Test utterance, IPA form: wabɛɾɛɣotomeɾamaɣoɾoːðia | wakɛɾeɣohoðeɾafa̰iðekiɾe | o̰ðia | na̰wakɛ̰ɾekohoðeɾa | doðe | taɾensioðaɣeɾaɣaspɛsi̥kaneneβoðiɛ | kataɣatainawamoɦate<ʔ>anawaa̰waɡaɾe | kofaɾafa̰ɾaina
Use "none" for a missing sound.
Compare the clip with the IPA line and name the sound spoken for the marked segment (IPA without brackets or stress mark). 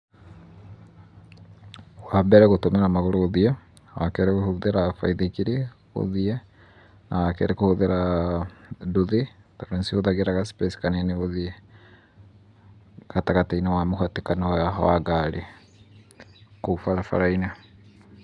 k